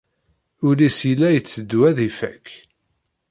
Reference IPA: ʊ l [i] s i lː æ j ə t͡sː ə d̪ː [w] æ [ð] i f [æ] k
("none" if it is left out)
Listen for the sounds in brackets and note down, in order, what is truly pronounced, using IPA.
i, w, ð, æ

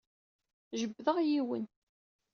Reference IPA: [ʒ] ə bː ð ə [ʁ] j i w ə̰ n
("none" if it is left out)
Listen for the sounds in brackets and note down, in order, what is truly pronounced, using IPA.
ʒ, ʁ

